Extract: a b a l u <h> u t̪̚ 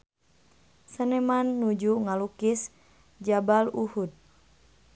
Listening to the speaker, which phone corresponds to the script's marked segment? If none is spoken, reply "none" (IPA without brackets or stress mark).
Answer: h